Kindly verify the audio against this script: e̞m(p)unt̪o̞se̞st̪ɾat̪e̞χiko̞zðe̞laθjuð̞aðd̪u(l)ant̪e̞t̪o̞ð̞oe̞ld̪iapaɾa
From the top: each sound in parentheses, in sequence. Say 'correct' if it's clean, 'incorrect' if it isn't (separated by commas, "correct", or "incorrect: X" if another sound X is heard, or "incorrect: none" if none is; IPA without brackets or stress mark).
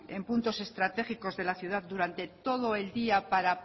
correct, incorrect: ɾ